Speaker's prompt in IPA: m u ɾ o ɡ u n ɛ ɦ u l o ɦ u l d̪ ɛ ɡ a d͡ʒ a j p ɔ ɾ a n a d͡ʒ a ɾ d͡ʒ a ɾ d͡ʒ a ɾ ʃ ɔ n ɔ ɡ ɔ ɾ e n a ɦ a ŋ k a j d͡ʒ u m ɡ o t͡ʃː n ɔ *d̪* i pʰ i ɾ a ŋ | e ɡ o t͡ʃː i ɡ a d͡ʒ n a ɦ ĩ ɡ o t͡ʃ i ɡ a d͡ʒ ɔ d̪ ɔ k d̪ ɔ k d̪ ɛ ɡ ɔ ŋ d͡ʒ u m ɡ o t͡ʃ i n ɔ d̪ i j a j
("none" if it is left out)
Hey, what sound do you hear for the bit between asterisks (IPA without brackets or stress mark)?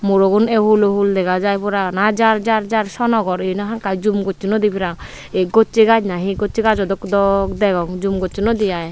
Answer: d̪